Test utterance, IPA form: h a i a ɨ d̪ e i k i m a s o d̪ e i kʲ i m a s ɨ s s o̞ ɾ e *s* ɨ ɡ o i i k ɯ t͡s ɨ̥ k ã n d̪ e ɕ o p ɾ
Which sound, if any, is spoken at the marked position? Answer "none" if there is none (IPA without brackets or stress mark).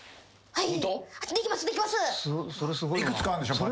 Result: s